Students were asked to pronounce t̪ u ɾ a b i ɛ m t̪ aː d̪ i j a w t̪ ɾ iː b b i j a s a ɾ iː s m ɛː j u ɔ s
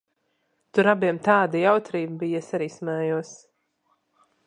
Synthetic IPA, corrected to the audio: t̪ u ɾ a b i ɛ m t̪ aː d̪ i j a w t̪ ɾ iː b b i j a s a ɾ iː s m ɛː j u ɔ s